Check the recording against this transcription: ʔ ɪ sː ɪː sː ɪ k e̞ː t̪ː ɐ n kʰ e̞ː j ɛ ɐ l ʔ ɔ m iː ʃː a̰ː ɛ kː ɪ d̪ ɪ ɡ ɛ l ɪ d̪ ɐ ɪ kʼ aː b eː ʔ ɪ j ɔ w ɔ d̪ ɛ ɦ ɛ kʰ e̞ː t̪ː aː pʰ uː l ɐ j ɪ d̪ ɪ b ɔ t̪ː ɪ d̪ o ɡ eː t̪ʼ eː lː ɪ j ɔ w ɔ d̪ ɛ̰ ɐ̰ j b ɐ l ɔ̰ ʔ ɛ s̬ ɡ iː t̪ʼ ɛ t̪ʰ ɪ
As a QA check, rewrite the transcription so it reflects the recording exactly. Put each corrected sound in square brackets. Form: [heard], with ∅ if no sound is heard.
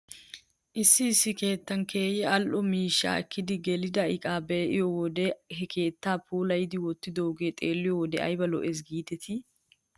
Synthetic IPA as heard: ʔ ɪ sː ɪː sː ɪ k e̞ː t̪ː ɐ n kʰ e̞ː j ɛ ɐ l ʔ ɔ m iː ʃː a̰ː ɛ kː ɪ d̪ ɪ ɡ ɛ l ɪ d̪ ɐ ɪ kʼ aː b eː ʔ ɪ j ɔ w ɔ d̪ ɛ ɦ ɛ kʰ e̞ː t̪ː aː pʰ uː l ɐ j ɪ d̪ ɪ [w] ɔ t̪ː ɪ d̪ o ɡ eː t̪ʼ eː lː ɪ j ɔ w ɔ d̪ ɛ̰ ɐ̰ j b ɐ l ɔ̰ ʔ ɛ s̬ ɡ iː [t̪] ɛ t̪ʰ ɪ